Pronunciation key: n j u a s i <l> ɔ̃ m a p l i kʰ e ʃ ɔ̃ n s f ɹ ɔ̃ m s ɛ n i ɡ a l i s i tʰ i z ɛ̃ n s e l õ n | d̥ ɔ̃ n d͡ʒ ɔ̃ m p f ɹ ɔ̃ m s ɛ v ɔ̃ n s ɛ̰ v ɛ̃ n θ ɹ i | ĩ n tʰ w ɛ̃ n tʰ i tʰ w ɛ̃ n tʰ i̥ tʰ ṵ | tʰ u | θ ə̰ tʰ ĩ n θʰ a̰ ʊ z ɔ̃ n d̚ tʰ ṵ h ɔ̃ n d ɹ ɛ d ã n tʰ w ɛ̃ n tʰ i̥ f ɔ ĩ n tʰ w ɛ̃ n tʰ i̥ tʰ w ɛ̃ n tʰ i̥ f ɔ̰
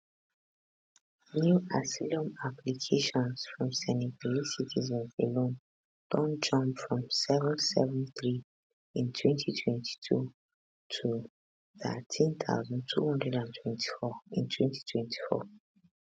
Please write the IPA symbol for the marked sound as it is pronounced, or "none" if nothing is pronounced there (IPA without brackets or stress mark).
l